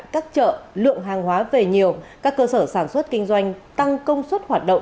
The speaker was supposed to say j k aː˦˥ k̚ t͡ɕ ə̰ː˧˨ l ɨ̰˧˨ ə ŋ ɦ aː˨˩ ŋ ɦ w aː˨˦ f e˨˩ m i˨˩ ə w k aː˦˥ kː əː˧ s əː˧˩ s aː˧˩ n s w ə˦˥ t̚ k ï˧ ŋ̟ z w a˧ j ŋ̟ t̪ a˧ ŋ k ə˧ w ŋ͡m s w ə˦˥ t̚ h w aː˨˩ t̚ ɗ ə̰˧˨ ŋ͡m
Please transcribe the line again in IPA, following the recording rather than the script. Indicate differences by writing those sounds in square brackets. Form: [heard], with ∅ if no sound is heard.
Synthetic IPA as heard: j k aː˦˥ k̚ t͡ɕ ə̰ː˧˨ l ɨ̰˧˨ ə ŋ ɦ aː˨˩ ŋ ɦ w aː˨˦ [v] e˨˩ [ɲ] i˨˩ ə w k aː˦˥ kː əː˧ s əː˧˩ s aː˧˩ n s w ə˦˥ t̚ k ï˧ ŋ̟ z w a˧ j ŋ̟ t̪ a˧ ŋ k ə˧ w ŋ͡m s w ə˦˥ t̚ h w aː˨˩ t̚ ɗ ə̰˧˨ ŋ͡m

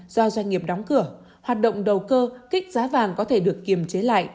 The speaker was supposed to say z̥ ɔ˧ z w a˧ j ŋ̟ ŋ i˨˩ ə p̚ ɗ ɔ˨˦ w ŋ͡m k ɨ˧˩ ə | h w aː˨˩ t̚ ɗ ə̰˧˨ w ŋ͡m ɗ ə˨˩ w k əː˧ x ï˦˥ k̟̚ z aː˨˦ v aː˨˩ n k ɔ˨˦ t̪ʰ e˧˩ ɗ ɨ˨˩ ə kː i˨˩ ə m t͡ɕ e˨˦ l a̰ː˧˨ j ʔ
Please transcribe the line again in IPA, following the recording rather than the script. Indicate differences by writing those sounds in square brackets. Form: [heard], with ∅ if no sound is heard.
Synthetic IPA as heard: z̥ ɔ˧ z w a˧ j ŋ̟ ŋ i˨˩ ə p̚ ɗ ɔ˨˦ w ŋ͡m k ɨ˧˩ ə | h w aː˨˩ t̚ ɗ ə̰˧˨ w ŋ͡m ɗ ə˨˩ w k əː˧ [k] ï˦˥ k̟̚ z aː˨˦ v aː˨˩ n k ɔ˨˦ t̪ʰ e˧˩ ɗ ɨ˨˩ ə kː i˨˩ ə m t͡ɕ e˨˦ l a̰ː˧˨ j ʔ

